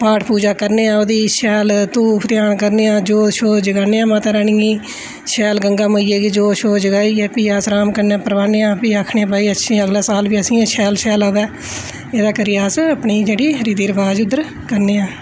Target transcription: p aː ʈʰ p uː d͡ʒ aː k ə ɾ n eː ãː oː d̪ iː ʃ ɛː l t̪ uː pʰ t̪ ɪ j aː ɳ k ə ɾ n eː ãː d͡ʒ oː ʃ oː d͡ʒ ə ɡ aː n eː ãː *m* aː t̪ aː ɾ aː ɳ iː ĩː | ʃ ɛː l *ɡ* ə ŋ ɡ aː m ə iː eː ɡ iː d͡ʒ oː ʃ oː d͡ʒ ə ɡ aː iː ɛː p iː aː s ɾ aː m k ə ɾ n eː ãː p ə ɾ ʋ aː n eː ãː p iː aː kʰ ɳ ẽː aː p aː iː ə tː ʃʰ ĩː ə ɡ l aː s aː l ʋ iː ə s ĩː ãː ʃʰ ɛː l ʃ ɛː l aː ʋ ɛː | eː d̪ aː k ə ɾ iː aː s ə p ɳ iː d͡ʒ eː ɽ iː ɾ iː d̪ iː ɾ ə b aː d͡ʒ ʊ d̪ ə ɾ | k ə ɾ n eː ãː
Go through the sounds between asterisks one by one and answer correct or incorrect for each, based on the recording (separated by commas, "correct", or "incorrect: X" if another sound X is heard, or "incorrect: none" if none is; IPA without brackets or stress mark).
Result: correct, correct